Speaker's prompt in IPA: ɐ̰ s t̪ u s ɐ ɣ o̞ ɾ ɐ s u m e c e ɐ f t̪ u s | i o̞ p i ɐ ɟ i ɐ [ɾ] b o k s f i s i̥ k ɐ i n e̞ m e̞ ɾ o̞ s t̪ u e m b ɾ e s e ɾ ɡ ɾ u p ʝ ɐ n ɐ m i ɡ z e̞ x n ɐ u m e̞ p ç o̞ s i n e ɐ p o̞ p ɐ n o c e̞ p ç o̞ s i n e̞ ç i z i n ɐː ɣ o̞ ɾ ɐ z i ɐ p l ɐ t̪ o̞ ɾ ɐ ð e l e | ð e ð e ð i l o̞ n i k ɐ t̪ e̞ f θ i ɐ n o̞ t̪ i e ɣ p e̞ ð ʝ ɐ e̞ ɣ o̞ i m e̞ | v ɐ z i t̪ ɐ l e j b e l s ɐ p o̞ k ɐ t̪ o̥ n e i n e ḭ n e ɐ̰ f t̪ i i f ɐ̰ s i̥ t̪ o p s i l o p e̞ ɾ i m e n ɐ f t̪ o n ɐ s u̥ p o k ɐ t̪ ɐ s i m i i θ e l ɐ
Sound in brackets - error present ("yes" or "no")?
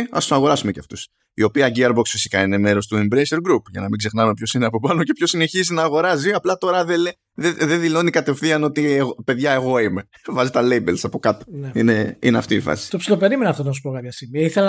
no